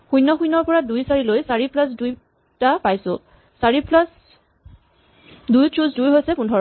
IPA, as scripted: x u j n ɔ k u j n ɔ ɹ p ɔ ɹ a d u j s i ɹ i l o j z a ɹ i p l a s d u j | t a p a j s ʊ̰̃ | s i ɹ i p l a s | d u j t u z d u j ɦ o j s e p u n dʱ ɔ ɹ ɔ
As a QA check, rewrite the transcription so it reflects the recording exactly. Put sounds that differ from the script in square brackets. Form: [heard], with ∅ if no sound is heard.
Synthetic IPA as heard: x u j n ɔ [x] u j n ɔ ɹ p ɔ ɹ a d u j s [a] ɹ i l o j [s] a ɹ i p l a s d u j | t a p a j s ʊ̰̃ | s [a] ɹ i p l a s | d u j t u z d u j ɦ o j s [ɛ] p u n dʱ ɔ ɹ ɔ